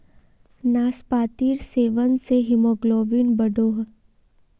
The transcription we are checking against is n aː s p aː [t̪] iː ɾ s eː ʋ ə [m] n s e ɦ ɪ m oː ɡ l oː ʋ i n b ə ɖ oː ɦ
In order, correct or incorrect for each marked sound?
correct, incorrect: none

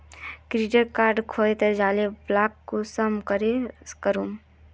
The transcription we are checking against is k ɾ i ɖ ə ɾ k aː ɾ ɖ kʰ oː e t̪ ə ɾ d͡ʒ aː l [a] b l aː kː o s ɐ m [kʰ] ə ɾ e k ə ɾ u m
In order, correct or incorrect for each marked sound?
incorrect: e, incorrect: k

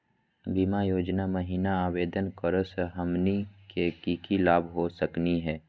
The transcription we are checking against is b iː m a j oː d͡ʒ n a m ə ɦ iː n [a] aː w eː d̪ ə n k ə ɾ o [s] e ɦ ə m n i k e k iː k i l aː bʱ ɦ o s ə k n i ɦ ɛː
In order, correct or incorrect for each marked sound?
correct, correct

